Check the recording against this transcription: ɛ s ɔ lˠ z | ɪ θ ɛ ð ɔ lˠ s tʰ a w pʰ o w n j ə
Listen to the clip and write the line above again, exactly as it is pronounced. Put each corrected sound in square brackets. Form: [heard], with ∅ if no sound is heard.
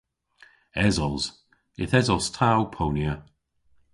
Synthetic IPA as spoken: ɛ [z] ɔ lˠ z | ɪ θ ɛ [z] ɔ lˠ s tʰ a w pʰ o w n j ə